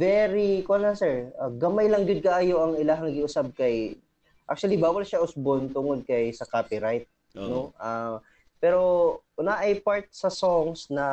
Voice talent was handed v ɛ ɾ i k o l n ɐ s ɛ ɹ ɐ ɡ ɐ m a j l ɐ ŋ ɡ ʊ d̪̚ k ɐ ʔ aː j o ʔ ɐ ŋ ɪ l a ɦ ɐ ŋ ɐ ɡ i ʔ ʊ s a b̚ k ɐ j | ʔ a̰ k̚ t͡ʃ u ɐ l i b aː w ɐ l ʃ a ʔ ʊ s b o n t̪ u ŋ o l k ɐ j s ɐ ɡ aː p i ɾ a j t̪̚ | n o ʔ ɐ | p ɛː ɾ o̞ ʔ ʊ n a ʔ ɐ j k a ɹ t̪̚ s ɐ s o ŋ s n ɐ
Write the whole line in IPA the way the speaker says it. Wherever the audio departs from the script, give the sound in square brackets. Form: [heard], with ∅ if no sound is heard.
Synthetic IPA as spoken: v ɛ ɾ i k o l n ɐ s ɛ ɹ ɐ ɡ ɐ m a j l ɐ ŋ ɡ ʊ d̪̚ k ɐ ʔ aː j o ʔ ɐ ŋ ɪ l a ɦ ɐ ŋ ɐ ɡ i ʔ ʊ s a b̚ k ɐ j | ʔ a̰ k̚ t͡ʃ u ɐ l i b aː w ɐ l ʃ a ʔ ʊ s b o n t̪ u ŋ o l k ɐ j s ɐ [k] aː p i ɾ a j t̪̚ | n o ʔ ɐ | p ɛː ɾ o̞ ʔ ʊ n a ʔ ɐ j [p] a ɹ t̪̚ s ɐ s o ŋ s n ɐ